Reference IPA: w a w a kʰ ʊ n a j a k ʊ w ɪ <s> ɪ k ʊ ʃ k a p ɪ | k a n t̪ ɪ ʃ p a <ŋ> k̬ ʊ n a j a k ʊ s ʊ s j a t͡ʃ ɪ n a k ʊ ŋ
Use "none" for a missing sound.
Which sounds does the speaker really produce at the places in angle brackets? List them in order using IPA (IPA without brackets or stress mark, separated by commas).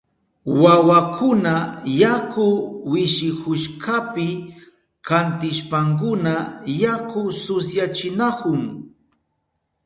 ʃ, ŋ